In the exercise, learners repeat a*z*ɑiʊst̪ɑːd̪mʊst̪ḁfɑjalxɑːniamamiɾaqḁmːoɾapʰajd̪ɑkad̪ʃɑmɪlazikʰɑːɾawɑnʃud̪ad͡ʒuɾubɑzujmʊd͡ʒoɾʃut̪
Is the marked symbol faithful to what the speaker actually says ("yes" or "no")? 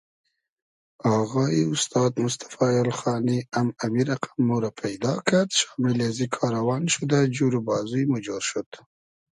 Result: no